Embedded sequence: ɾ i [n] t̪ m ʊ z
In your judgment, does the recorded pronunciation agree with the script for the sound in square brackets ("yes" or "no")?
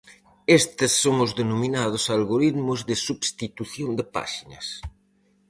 no